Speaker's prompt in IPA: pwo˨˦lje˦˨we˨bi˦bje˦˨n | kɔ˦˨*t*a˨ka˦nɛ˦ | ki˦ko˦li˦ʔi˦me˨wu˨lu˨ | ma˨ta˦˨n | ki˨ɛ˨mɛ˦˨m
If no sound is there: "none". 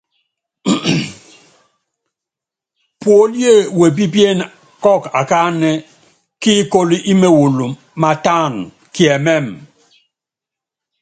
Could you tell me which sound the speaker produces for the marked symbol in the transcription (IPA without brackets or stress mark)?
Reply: k